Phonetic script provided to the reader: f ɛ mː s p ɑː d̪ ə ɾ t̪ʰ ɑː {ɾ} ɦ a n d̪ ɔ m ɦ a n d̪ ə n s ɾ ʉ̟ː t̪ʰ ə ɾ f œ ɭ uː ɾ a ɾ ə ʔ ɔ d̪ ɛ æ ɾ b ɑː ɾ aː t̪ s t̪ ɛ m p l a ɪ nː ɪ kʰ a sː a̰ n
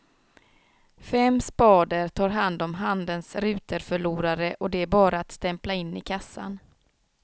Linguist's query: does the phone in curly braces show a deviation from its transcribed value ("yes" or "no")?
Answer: no